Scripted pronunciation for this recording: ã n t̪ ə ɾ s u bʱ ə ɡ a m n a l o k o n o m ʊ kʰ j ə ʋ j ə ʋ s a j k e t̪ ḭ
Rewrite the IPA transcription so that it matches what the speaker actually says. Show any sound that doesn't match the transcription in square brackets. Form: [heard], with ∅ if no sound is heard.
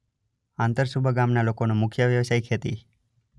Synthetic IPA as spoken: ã n t̪ ə ɾ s u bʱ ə ɡ a m n a l o k o n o m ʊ kʰ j ə ʋ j ə ʋ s a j [kʰ] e t̪ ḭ